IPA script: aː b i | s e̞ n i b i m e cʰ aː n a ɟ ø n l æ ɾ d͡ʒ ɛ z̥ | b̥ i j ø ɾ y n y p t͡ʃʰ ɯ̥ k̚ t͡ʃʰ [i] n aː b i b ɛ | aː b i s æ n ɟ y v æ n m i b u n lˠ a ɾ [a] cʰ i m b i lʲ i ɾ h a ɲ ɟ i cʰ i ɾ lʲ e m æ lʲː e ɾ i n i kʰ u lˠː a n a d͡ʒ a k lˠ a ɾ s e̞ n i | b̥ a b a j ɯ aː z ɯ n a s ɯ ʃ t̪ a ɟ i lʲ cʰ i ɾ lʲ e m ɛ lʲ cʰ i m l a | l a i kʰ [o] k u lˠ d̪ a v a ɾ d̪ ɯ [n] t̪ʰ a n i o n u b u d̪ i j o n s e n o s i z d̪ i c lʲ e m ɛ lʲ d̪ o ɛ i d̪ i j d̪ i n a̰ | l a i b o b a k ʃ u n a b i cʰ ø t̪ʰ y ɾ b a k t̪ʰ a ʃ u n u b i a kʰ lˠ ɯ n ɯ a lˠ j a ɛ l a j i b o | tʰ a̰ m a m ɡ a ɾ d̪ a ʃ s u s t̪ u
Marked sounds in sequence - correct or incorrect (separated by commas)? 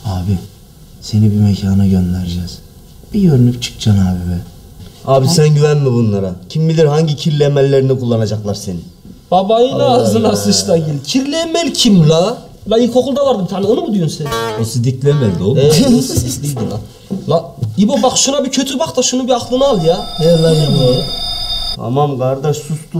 incorrect, correct, correct, incorrect